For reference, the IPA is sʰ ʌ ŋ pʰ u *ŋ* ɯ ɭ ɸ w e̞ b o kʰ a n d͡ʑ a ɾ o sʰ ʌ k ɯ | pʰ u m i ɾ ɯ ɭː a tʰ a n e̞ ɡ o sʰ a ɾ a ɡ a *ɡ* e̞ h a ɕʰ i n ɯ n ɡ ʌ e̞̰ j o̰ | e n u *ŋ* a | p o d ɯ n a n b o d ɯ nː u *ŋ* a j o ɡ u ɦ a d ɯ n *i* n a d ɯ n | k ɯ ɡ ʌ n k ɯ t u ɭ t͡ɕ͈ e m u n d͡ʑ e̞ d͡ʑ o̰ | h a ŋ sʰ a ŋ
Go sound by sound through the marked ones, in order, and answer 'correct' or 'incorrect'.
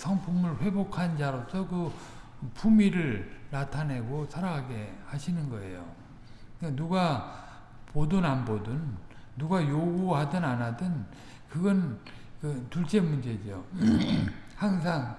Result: incorrect, correct, incorrect, incorrect, incorrect

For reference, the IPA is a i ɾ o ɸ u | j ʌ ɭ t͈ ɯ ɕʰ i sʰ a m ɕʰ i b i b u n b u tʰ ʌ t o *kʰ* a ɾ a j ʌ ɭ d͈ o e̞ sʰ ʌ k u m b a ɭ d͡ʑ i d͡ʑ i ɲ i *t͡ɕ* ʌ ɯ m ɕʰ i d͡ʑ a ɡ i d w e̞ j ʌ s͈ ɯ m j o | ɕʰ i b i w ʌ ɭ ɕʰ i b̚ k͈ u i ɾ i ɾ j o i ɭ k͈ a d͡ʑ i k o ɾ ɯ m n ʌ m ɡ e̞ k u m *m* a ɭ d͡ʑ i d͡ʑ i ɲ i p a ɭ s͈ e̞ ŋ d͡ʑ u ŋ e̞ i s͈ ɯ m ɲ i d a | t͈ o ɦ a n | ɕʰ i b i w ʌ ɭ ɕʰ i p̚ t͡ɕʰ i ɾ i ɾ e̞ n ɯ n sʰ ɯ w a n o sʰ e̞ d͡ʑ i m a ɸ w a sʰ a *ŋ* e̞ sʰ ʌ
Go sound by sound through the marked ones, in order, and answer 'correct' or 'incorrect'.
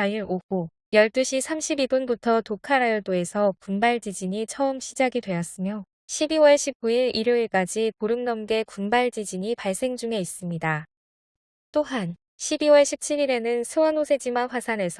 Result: correct, incorrect, incorrect, incorrect

